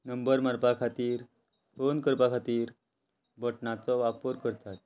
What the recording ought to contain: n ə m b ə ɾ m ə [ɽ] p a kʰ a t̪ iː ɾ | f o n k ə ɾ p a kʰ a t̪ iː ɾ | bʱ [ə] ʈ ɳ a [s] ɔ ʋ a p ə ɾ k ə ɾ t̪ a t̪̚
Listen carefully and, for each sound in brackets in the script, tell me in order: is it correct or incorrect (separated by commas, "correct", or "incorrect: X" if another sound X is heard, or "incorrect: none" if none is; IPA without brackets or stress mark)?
incorrect: ɾ, correct, incorrect: t͡s